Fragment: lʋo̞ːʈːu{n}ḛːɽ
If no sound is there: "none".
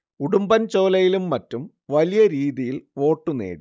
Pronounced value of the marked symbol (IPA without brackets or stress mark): n